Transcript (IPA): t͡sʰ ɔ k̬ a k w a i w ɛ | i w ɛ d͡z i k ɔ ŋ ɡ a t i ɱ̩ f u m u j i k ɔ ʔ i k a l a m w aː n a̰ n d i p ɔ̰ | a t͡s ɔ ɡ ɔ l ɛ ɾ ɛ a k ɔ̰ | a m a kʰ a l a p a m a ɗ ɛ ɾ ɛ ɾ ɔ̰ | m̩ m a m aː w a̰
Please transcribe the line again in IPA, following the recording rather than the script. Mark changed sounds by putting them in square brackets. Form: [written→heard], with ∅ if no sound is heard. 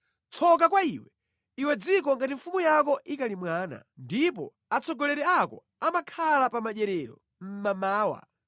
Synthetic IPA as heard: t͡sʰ ɔ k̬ a k w a i w ɛ | i w ɛ d͡z i k ɔ ŋ ɡ a t i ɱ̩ f u m u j [i→a] k ɔ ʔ i k a l [a→i] m w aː n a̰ n d i p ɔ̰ | a t͡s ɔ ɡ ɔ l ɛ ɾ ɛ a k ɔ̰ | a m a kʰ a l a p a m a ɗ ɛ ɾ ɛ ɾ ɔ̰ | m̩ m a m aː w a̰